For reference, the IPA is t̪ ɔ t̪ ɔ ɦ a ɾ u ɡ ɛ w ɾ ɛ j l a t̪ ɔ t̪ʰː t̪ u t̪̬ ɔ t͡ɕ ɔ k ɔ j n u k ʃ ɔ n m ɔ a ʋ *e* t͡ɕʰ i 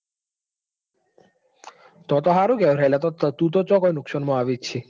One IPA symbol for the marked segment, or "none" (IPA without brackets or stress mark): i